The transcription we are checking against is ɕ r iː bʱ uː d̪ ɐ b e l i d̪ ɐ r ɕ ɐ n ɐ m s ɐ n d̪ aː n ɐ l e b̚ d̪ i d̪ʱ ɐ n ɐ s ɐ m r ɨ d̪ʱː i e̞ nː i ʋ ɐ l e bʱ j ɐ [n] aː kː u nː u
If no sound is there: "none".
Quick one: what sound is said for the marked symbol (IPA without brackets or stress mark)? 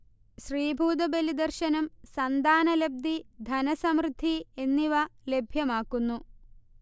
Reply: m